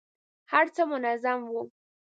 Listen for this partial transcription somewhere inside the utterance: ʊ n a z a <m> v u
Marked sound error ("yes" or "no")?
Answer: no